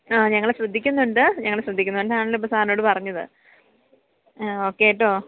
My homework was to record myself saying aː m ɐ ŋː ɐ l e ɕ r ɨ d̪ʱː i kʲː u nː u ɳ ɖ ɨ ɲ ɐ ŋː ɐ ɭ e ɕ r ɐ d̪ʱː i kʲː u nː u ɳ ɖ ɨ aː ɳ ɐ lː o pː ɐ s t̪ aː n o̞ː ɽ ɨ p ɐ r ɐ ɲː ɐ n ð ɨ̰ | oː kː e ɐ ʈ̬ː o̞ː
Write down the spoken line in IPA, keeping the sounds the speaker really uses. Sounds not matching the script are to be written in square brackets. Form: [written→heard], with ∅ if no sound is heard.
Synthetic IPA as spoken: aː [m→ɲ] ɐ ŋː ɐ [l→ɭ] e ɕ r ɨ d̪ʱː i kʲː u nː u ɳ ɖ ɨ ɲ ɐ ŋː ɐ ɭ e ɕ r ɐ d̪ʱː i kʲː u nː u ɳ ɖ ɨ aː ɳ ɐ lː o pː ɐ s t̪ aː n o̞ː ɽ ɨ p ɐ r ɐ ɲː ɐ [n→∅] ð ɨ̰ | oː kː e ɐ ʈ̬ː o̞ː